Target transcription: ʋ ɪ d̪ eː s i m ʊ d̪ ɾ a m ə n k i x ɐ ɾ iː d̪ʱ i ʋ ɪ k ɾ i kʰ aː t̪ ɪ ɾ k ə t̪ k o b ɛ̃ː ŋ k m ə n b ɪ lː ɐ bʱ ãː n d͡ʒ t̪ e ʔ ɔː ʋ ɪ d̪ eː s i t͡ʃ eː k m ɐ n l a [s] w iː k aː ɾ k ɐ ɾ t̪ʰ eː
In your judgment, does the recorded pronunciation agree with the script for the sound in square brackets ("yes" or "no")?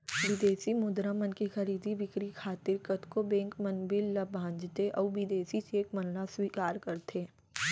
yes